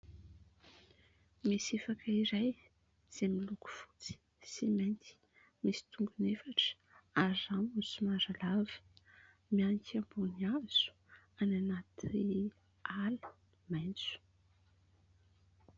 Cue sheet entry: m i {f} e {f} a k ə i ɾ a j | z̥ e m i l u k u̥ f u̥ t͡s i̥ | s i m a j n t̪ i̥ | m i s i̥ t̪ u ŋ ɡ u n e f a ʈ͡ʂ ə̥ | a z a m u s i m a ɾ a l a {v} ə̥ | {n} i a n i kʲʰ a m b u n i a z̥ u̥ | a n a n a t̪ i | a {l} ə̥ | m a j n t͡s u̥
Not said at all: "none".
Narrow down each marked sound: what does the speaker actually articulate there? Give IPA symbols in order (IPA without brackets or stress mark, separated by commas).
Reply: s, f, v, m, l